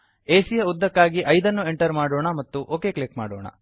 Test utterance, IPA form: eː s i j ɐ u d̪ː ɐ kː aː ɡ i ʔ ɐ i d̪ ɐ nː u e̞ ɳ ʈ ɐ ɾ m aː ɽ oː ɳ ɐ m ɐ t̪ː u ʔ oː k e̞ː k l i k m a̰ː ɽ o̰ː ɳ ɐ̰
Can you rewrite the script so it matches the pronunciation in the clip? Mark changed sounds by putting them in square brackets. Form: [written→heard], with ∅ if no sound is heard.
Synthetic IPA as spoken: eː s i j ɐ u d̪ː ɐ kː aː ɡ i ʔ ɐ [i→j] d̪ ɐ nː u e̞ ɳ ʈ ɐ ɾ m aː ɽ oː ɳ ɐ m ɐ t̪ː u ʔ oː k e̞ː k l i k m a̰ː ɽ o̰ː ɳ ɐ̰